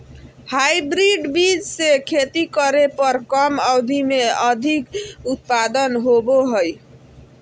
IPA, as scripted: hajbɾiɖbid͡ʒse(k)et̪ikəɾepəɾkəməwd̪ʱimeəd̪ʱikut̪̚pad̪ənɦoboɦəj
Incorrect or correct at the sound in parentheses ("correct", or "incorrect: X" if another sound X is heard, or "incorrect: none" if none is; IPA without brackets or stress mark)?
incorrect: kʰ